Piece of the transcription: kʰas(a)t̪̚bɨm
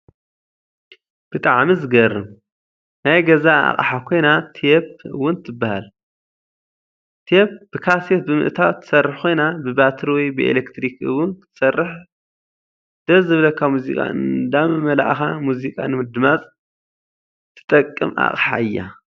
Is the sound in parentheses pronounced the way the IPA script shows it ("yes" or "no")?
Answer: no